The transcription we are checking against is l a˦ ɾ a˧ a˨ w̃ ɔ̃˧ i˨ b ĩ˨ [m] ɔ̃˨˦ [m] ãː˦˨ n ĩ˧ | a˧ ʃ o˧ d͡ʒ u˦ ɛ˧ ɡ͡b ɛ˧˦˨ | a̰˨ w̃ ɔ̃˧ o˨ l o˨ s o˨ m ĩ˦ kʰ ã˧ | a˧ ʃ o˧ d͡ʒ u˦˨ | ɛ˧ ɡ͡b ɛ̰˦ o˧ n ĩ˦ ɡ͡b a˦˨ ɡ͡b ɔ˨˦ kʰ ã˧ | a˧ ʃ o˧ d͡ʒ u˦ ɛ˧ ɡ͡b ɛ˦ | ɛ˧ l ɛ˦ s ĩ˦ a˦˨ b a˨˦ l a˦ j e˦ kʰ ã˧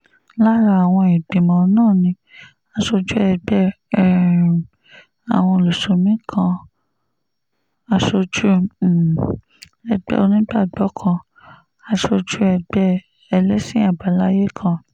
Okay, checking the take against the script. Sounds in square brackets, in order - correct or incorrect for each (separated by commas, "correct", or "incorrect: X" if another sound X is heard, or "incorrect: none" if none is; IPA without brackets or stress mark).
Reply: correct, incorrect: n